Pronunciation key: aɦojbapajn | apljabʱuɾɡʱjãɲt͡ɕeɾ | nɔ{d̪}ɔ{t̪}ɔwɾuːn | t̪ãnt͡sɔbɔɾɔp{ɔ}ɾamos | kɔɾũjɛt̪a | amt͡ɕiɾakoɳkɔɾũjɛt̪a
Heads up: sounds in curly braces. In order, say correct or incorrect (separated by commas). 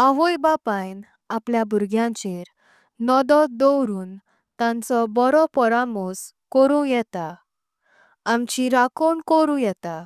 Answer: correct, incorrect, correct